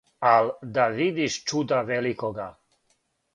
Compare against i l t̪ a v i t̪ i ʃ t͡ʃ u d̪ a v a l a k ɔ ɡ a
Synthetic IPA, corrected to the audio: a l d̪ a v i d̪ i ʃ t͡ʃ u d̪ a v ɛ l i k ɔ ɡ a